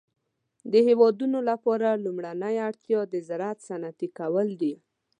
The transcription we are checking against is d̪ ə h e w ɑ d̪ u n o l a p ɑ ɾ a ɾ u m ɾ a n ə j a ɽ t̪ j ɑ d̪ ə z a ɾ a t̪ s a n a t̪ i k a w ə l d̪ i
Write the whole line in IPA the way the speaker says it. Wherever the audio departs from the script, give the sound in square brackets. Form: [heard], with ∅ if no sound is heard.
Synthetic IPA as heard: d̪ ə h e w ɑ d̪ u n o l a p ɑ ɾ a [l] u m [ɽ] a n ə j a ɽ t̪ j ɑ d̪ ə z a ɾ a t̪ s a n a t̪ i k a w ə l d̪ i